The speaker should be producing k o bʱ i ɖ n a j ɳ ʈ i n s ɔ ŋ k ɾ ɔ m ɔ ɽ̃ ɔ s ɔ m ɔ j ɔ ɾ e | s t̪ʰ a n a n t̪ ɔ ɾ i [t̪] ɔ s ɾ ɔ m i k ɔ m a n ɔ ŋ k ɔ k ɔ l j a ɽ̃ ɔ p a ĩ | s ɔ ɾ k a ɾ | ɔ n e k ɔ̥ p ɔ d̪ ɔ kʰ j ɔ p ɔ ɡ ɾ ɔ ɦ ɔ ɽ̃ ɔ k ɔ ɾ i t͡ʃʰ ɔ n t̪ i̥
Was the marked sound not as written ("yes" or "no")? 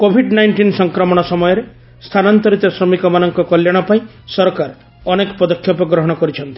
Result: no